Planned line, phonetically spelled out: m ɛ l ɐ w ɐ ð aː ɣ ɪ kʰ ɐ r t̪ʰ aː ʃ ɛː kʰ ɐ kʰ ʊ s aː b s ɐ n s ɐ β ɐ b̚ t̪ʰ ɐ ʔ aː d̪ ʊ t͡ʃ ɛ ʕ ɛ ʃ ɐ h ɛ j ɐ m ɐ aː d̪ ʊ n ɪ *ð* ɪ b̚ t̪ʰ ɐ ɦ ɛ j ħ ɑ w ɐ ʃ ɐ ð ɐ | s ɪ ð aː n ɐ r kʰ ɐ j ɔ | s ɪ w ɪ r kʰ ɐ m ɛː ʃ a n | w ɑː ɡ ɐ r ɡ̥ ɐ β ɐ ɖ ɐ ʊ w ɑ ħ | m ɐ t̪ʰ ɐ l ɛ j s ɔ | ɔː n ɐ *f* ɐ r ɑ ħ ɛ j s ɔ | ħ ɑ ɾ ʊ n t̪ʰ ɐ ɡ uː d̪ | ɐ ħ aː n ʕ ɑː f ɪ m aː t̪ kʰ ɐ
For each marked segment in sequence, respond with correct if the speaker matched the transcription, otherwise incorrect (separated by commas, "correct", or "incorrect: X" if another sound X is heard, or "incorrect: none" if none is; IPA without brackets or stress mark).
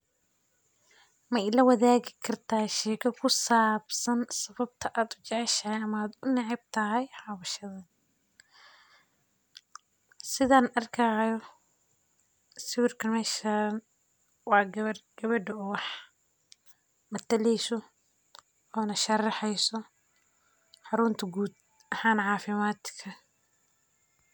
incorrect: ʕ, incorrect: ʃ